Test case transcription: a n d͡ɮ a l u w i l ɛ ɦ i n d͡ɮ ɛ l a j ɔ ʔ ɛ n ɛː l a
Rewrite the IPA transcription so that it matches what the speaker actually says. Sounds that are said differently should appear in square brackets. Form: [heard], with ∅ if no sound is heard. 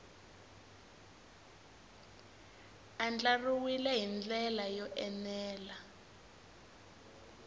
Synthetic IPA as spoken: a n d͡ɮ a [r] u w i l ɛ ɦ i n d͡ɮ ɛ l a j ɔ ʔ ɛ n ɛː l a